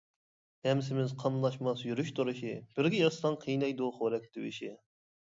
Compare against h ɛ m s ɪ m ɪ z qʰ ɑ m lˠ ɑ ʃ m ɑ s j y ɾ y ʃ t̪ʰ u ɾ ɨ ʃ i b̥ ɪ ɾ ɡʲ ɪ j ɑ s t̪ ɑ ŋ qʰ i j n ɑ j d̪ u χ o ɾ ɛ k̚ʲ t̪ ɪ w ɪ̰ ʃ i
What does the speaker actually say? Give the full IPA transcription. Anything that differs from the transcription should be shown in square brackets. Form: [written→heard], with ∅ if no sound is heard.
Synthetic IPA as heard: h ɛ m s ɪ m ɪ z qʰ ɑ m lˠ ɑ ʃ m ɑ s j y ɾ y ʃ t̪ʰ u ɾ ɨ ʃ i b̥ ɪ ɾ ɡʲ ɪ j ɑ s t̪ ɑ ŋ qʰ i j n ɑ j d̪ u χ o ɾ ɛ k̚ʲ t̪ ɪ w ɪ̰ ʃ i